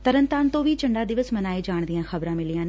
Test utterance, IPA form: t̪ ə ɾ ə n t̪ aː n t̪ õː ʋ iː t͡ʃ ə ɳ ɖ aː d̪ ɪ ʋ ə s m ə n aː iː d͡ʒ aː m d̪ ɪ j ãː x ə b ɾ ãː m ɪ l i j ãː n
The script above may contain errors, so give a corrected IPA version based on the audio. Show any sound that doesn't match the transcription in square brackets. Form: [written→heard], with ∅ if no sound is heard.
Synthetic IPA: t̪ ə ɾ ə n t̪ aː n t̪ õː ʋ iː t͡ʃ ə ɳ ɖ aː d̪ ɪ ʋ ə s m ə n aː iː d͡ʒ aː [m→ɳ] d̪ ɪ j ãː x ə b ɾ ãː m ɪ l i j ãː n